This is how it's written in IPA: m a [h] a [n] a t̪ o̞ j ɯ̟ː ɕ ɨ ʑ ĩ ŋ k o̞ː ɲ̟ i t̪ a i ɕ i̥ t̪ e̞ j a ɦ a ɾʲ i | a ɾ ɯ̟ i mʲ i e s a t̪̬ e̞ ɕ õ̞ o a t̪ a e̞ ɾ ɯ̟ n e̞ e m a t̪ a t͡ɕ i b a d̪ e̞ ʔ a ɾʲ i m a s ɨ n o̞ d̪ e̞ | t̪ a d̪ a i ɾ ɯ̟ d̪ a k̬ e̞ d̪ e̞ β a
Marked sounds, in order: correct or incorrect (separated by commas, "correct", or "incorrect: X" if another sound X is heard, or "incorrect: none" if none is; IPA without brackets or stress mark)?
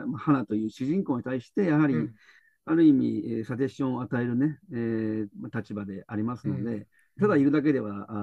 correct, correct